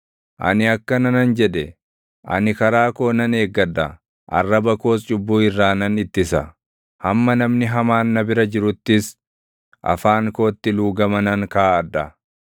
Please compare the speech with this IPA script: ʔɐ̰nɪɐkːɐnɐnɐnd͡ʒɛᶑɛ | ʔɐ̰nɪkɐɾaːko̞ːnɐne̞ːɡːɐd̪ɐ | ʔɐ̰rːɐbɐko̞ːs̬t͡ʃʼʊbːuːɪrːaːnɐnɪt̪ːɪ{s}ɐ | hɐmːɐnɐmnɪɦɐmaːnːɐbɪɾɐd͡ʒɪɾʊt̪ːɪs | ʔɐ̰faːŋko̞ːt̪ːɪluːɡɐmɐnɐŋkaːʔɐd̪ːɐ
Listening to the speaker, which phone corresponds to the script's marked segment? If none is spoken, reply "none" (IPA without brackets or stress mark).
s